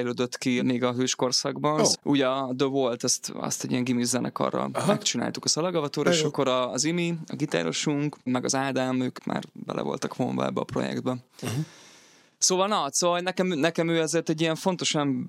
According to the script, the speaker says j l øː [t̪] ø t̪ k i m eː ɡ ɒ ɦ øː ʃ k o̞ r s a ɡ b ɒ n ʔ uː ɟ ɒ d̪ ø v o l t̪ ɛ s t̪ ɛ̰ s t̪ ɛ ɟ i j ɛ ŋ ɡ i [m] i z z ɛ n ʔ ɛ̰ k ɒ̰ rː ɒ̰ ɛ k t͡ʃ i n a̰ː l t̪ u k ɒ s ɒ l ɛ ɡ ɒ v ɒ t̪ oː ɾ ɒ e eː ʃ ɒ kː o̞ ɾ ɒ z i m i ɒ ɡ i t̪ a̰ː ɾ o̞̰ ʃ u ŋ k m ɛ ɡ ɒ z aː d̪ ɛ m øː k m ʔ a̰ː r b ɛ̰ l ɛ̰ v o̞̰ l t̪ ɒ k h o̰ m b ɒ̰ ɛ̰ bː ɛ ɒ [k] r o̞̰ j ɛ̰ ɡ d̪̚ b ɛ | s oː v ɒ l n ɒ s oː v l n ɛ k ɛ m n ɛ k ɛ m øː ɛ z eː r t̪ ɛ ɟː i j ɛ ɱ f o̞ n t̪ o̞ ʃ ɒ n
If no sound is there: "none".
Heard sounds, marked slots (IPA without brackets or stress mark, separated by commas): d̪, m, p